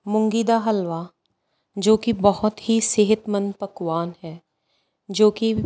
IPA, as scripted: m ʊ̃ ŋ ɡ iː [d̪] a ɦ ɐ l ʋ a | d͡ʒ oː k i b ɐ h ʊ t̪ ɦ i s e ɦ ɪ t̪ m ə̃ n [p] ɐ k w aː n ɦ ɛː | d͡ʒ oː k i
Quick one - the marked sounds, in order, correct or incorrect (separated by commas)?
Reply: correct, correct